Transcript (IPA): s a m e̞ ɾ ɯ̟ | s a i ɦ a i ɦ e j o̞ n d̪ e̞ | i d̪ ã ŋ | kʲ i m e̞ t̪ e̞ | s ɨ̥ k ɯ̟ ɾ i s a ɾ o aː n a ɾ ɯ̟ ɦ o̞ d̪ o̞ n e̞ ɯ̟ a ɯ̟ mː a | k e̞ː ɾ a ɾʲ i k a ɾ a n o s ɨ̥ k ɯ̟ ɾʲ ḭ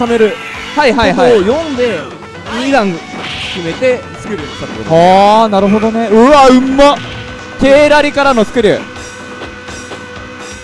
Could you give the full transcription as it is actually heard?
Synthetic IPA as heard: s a m e̞ ɾ ɯ̟ | h a i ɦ a i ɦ a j õ̞ n d̪ e̞ | i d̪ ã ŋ | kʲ i m e̞ t̪ e̞ | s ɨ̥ k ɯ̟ ɾ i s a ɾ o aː n a ɾ ɯ̟ ɦ o̞ d̪ o̞ n e̞ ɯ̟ a ɯ̟ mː a | k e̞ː ɾ a ɾʲ i k a ɾ a n o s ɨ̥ k ɯ̟ ɾʲ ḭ